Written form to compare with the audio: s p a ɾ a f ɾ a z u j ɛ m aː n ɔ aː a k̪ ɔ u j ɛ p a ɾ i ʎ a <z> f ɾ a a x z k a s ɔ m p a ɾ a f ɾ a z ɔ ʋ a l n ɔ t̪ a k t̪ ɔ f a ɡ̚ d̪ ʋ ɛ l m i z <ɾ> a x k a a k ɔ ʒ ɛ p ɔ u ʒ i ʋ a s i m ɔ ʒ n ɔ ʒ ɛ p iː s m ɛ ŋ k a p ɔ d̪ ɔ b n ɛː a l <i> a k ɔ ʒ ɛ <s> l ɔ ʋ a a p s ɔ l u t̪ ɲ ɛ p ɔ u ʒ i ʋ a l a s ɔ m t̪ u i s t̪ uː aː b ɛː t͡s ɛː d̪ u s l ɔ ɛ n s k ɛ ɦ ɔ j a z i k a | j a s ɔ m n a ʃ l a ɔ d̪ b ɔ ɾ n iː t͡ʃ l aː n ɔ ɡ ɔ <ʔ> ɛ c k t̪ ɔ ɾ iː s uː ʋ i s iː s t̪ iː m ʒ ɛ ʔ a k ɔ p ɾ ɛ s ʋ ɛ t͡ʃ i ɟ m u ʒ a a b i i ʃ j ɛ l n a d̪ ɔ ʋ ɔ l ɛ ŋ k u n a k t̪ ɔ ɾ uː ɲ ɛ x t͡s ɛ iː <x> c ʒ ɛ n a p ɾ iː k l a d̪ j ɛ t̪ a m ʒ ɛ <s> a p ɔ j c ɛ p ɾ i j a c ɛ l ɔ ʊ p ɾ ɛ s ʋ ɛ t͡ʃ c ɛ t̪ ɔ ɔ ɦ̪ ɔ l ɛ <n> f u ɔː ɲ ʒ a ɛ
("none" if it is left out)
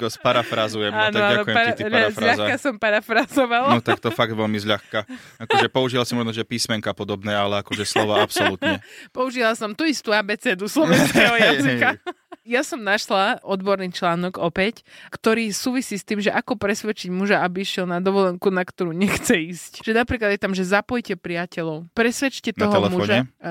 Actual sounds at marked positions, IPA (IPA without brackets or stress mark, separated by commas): z, ʎ, ɛ, s, p, s, z, m